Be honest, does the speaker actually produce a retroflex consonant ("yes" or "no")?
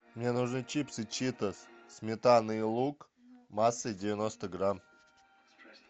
yes